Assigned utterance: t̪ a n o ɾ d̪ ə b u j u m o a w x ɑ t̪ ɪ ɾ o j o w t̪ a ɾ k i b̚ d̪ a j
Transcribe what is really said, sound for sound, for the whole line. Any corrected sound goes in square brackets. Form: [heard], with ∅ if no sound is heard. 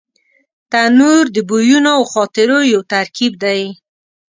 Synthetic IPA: t̪ a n [u] ɾ d̪ ə b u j u [n] o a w x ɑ t̪ ɪ ɾ o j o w t̪ a ɾ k i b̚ d̪ a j

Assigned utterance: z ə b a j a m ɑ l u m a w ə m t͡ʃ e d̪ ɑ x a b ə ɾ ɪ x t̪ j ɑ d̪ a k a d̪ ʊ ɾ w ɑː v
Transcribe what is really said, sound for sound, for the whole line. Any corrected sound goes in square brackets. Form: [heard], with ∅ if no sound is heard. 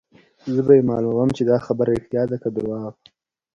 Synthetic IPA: z ə b a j [e] m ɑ l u m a w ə m t͡ʃ e d̪ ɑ x a b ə ɾ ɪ x t̪ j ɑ d̪ a k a d̪ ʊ ɾ w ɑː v

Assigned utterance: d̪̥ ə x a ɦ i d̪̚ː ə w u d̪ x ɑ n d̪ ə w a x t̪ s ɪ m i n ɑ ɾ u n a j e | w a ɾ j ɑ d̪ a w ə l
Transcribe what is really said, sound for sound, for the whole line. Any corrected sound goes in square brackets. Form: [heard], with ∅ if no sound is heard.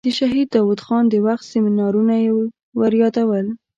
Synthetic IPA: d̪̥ ə [ʃ] a ɦ i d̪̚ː [ɑ] w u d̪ x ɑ n d̪ ə w a x t̪ s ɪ m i n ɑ ɾ u n a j e | w a ɾ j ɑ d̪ a w ə l

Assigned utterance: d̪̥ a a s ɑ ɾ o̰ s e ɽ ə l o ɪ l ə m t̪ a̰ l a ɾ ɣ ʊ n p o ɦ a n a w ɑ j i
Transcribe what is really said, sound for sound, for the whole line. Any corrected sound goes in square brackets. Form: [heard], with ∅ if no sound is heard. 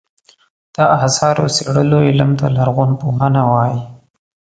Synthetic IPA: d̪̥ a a s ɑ ɾ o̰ s e ɽ ə l o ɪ l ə m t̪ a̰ l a ɾ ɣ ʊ n p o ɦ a n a w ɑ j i

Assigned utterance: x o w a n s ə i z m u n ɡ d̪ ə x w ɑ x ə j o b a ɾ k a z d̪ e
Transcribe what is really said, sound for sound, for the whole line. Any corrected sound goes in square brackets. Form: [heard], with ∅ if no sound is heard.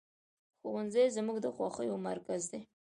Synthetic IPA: x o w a n [z] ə [j] z m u [∅] ɡ d̪ ə x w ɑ x ə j o [m] a ɾ k a z d̪ e

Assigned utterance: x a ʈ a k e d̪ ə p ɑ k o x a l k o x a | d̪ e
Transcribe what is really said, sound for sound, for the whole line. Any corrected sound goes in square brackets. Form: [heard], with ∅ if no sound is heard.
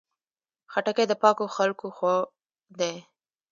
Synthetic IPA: x a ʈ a k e d̪ ə p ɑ k o x a l k o x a | d̪ e

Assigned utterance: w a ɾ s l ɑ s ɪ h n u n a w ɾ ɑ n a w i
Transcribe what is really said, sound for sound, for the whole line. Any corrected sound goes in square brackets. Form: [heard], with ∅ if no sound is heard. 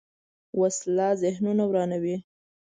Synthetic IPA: w a [∅] s l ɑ [z] ɪ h n u n a w ɾ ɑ n a w i

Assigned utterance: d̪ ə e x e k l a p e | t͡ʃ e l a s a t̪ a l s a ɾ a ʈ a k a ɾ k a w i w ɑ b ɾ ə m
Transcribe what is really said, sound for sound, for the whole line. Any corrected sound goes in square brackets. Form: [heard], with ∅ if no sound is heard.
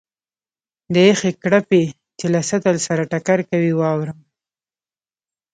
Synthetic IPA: d̪ ə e x e k [ɽ] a p e | t͡ʃ e l a s a t̪ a l s a ɾ a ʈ a k a ɾ k a w i w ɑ [w] ɾ ə m

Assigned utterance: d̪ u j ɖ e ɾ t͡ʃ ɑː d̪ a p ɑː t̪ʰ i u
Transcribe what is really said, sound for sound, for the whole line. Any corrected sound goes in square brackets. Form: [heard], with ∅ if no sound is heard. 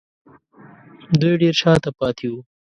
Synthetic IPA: d̪ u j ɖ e ɾ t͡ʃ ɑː [t̪] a p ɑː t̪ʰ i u

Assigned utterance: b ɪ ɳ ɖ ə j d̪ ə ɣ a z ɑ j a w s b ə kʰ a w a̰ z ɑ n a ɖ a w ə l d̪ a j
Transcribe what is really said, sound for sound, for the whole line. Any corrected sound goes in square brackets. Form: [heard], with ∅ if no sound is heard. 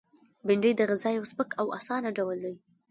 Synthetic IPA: b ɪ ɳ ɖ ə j d̪ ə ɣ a z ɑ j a w s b ə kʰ a w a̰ [s] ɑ n a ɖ a w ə l d̪ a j

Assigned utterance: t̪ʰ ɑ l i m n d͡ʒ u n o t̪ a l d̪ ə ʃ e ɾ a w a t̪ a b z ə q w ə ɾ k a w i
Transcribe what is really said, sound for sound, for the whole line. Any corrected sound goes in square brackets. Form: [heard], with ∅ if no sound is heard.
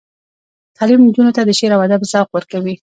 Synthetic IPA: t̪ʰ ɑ l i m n d͡ʒ u n o t̪ a [∅] d̪ ə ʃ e ɾ a w a [d̪] a b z [ɑ] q w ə ɾ k a w i

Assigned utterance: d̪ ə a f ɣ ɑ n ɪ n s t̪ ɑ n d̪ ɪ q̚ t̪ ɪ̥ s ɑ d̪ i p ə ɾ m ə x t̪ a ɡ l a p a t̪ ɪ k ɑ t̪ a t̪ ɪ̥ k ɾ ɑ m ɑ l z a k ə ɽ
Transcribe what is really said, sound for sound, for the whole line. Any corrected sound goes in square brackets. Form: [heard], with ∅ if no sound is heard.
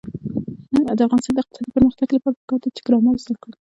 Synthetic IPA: d̪ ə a f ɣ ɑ n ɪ [∅] s t̪ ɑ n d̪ ɪ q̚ t̪ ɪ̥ s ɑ d̪ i p ə ɾ m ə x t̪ a ɡ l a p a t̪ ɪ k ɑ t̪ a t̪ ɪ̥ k ɾ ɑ m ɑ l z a k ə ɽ

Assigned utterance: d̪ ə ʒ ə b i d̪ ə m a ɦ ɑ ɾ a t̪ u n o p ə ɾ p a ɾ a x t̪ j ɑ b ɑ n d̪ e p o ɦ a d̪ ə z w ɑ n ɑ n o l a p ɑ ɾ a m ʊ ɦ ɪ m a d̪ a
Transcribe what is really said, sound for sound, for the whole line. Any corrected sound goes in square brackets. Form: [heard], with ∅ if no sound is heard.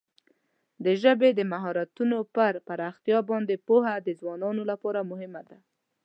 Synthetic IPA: d̪ ə ʒ ə b [e] d̪ ə m a ɦ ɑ ɾ a t̪ u n o p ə ɾ p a ɾ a x t̪ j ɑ b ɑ n d̪ e p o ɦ a d̪ ə z w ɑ n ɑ n o l a p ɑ ɾ a m ʊ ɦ ɪ m a d̪ a

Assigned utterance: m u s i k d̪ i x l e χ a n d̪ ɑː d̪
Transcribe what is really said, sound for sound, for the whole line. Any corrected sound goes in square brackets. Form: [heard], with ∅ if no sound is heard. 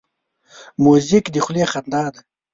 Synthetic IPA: m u [z] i k d̪ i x l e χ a n d̪ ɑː d̪

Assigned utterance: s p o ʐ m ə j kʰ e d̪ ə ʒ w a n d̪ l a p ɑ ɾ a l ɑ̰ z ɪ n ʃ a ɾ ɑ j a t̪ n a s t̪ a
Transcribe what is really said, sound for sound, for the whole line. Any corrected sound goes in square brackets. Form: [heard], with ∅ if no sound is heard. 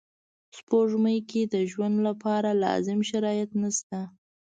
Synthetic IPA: s p o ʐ m ə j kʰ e d̪ ə ʒ w a n d̪ l a p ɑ ɾ a l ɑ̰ z ɪ [m] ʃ a ɾ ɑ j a t̪ n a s t̪ a

